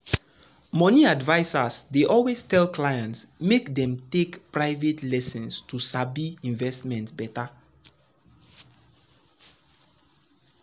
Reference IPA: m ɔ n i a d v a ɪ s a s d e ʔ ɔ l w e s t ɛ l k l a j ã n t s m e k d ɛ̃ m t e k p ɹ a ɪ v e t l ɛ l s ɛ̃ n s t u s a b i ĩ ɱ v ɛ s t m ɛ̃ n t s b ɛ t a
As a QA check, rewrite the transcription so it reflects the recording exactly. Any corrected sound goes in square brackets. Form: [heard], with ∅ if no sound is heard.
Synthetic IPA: m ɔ n i a d v a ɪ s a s d e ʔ ɔ l w e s t ɛ l k l a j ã n t s m e k d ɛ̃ m t e k p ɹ a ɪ v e t l ɛ [∅] s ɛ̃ n s t u s a b i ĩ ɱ v ɛ s t m ɛ̃ n t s b ɛ t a